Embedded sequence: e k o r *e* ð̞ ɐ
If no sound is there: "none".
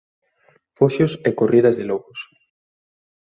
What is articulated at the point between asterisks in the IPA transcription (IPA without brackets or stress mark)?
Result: i